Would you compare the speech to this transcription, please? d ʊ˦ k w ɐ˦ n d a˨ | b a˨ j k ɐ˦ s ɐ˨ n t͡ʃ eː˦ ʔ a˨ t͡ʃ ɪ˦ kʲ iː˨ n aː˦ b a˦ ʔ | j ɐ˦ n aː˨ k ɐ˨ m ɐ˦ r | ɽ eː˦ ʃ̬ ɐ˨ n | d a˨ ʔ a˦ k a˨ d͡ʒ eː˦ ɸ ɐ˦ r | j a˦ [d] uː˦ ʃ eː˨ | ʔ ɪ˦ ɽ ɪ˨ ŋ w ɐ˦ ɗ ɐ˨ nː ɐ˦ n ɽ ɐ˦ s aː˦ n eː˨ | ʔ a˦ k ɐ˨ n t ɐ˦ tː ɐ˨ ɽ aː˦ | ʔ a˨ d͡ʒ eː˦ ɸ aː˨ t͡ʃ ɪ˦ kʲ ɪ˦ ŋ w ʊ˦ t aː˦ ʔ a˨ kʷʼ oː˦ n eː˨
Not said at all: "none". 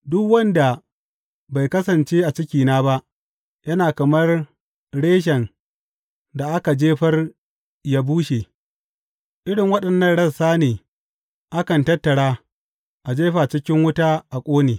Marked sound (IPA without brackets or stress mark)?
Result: b